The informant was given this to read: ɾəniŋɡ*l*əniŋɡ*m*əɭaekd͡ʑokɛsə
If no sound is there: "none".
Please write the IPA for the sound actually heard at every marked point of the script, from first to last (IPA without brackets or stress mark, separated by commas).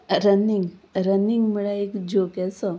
ɾ, m